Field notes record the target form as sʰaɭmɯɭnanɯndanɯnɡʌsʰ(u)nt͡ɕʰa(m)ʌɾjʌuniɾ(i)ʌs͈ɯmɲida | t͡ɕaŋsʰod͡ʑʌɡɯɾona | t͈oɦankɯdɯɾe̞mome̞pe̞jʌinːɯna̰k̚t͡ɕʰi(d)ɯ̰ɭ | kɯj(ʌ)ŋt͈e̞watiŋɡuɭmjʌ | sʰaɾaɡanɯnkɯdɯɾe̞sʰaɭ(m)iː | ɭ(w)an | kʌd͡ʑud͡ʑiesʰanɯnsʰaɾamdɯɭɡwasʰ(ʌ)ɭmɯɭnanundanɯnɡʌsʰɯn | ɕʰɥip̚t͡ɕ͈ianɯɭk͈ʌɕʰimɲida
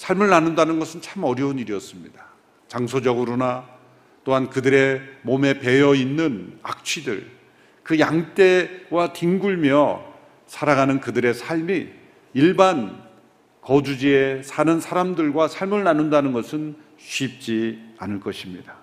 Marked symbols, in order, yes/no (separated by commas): no, yes, yes, yes, no, yes, no, no